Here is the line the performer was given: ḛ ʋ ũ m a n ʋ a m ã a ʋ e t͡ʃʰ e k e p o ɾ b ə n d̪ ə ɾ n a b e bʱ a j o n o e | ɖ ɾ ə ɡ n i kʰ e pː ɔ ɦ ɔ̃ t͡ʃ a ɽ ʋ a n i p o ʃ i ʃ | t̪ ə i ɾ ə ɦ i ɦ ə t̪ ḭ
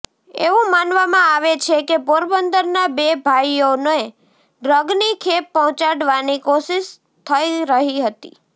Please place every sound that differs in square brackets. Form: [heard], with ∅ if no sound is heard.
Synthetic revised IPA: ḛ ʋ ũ m a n ʋ a m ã a ʋ e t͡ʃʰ e k e p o ɾ b ə n d̪ ə ɾ n a b e bʱ a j o n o e | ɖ ɾ ə ɡ n i kʰ e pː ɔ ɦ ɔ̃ t͡ʃ a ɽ ʋ a n i [k] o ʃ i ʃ | [t̪ʰ] ə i ɾ ə ɦ i ɦ ə t̪ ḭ

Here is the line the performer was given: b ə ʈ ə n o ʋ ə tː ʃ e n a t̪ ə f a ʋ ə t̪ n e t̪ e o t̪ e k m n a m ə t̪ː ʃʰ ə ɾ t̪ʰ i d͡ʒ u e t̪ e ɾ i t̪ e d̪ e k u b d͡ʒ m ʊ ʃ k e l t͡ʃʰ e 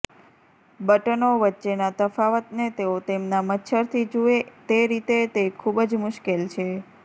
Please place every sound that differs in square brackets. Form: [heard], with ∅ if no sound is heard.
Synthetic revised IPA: b ə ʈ ə n o ʋ ə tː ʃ e n a t̪ ə f a ʋ ə t̪ n e t̪ e o t̪ e [∅] m n a m ə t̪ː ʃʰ ə ɾ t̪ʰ i d͡ʒ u e t̪ e ɾ i t̪ e [t̪] e [kʰ] u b d͡ʒ m ʊ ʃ k e l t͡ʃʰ e

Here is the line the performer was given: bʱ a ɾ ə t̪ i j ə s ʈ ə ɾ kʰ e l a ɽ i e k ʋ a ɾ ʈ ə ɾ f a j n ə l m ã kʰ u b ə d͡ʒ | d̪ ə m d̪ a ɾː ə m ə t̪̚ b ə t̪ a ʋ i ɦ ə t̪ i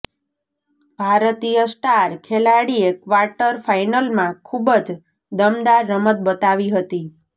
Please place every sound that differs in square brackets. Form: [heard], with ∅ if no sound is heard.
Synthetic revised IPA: bʱ a ɾ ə t̪ i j ə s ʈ [a] ɾ kʰ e l a ɽ i e k ʋ a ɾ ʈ ə ɾ f a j n ə l m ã kʰ u b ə d͡ʒ | d̪ ə m d̪ a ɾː ə m ə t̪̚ b ə t̪ a ʋ i ɦ ə t̪ i

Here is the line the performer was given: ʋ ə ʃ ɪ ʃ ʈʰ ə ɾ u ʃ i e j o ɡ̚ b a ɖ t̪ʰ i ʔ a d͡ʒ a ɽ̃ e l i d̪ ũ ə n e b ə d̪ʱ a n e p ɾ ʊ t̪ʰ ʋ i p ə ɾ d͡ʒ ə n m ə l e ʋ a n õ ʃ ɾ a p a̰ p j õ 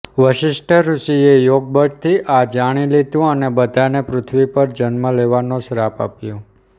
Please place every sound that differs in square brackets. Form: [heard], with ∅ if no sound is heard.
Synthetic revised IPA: ʋ ə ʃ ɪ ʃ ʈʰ ə ɾ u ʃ i e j o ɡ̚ b [ə] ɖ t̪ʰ i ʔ a d͡ʒ a ɽ̃ [i] l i d̪ ũ ə n e b ə d̪ʱ a n e p ɾ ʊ t̪ʰ ʋ i p ə ɾ d͡ʒ ə n m ə l e ʋ a n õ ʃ ɾ a p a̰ p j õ

